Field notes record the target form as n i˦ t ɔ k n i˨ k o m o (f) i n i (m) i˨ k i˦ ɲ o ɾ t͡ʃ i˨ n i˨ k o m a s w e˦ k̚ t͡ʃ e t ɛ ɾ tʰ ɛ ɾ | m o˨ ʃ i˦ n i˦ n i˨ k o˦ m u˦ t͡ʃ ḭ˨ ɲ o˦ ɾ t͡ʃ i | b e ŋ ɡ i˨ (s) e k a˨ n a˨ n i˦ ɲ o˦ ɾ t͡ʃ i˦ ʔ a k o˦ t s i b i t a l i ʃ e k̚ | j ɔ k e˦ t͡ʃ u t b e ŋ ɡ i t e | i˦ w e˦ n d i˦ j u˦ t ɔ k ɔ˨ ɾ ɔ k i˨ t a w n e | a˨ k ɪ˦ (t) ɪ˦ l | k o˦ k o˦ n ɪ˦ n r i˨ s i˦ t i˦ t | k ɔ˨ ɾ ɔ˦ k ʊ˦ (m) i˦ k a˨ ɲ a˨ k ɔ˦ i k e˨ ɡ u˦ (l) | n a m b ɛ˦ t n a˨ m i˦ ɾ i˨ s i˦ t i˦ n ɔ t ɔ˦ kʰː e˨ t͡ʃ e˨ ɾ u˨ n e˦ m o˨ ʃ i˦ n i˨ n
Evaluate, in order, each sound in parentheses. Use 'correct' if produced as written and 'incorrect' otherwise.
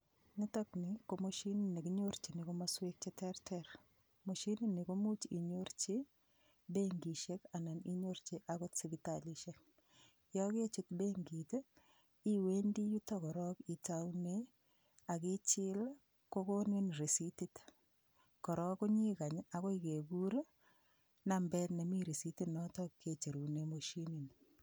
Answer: incorrect, incorrect, incorrect, incorrect, incorrect, incorrect

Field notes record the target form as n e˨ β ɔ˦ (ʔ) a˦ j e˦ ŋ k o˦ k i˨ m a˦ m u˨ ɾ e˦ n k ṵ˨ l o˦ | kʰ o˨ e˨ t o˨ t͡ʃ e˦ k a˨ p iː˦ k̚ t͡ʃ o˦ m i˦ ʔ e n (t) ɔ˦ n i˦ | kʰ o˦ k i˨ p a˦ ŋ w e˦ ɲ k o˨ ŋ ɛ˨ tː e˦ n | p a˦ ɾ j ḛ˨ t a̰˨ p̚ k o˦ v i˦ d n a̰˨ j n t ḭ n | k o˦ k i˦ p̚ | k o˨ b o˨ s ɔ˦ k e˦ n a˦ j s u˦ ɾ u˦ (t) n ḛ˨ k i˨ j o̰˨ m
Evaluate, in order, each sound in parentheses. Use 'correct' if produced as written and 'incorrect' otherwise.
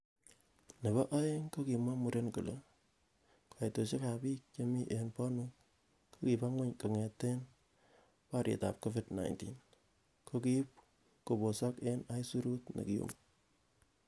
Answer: correct, incorrect, correct

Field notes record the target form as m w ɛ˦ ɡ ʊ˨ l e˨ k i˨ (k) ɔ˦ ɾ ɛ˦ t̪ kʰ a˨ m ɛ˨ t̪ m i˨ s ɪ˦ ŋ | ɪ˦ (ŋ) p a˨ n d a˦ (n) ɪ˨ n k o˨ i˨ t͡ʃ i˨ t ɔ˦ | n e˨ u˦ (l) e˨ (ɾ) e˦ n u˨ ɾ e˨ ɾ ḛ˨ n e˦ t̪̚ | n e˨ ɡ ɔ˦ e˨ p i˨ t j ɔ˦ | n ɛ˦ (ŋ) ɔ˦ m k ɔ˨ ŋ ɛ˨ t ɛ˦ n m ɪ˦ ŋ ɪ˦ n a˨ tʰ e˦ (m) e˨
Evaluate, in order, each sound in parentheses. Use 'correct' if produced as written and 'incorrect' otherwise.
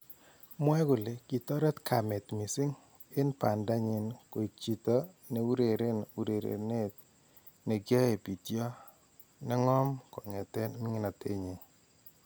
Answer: incorrect, incorrect, incorrect, incorrect, correct, correct, incorrect

